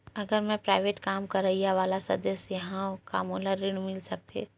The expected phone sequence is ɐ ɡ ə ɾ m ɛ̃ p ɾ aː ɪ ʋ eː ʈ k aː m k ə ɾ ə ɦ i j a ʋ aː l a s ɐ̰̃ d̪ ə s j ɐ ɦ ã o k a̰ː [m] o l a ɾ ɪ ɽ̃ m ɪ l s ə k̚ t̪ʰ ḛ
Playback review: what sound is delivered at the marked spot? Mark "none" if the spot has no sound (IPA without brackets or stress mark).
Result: m